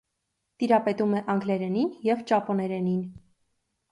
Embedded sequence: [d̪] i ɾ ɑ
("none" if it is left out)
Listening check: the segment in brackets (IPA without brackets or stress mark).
t̪